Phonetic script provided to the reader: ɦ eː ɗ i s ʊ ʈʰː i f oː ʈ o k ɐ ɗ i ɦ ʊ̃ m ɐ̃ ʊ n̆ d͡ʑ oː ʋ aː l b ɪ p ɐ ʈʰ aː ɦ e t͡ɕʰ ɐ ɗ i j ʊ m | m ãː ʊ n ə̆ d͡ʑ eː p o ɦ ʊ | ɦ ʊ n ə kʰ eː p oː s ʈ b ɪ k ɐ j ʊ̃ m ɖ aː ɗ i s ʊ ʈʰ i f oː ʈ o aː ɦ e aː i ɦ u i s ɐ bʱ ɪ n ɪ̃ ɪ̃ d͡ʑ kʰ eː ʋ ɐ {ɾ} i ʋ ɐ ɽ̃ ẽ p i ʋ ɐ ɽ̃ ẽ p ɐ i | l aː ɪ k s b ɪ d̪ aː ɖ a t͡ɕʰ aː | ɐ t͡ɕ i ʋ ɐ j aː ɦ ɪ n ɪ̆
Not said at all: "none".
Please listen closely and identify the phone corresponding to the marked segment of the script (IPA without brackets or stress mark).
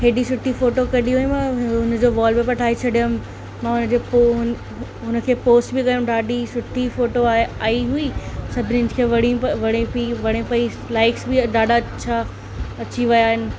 ɽ